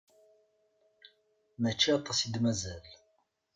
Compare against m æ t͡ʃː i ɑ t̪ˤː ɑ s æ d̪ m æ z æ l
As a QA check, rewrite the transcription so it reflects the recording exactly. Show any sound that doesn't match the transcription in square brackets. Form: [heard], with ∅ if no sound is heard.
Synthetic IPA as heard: m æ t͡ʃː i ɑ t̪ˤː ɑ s [i] d̪ m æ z æ l